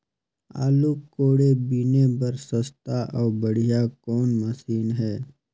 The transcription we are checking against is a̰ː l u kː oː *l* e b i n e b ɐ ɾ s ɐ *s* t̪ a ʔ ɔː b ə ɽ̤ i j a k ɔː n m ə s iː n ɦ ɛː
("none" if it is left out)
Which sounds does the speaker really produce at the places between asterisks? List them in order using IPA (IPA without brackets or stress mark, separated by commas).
ɽ, s